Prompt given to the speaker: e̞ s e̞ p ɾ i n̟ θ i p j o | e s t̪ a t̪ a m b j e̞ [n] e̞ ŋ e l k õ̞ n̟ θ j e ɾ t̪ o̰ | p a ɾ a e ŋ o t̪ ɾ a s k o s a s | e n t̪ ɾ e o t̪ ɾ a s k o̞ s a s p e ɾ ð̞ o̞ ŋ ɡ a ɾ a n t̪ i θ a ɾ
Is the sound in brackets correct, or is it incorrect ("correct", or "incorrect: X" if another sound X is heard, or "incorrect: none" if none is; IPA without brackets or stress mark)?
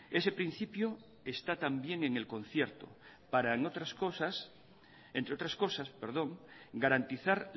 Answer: incorrect: ŋ